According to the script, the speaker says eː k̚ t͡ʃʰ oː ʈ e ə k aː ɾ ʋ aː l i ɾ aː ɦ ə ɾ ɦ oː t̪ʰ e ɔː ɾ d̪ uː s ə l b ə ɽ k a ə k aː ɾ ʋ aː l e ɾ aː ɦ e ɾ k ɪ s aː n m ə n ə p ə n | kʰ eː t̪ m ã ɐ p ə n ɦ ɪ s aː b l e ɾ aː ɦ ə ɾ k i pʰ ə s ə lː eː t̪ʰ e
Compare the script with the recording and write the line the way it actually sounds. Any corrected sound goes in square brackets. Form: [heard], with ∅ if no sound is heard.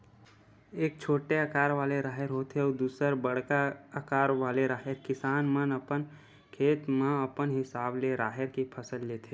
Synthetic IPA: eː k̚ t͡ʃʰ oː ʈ e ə k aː ɾ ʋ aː l [e] ɾ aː ɦ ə ɾ ɦ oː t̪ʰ e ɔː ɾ d̪ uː s ə [ɾ] b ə ɽ k a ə k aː ɾ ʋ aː l e ɾ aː ɦ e ɾ k ɪ s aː n m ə n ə p ə n | kʰ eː t̪ m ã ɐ p ə n ɦ ɪ s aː b l e ɾ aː ɦ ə ɾ k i pʰ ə s ə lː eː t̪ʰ e